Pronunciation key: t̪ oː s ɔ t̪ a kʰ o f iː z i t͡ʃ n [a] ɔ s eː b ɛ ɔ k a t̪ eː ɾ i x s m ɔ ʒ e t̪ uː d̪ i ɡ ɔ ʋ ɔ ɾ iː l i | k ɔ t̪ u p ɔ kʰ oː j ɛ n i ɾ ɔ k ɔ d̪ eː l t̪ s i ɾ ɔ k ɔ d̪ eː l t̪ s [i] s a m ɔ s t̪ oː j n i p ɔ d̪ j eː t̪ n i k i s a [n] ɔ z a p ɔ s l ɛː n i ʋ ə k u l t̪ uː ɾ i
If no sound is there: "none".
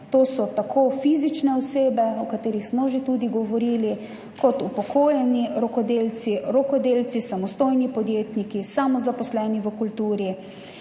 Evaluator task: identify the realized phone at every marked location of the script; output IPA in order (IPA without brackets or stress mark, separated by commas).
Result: ɛ, i, m